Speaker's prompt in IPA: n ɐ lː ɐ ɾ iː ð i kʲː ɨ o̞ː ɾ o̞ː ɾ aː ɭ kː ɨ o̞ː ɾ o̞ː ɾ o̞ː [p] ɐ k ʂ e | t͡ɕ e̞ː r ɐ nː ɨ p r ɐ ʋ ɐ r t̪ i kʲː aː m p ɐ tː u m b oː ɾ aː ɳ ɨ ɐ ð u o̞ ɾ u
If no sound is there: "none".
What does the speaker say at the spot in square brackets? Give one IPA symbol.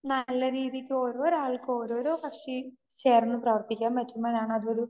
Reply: p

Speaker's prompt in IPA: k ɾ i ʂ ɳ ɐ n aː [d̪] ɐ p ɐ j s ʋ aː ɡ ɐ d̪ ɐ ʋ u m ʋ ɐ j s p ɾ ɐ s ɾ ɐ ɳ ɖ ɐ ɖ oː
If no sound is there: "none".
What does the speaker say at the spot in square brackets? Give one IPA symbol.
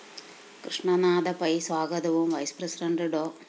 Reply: d̪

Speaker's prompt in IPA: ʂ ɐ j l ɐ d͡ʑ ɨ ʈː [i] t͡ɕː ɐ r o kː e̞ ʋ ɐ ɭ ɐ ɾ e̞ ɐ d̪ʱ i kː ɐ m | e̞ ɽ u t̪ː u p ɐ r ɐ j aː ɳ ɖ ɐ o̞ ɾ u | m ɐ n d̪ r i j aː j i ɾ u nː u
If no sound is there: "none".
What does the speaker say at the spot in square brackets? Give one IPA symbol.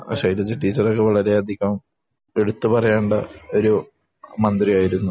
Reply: iː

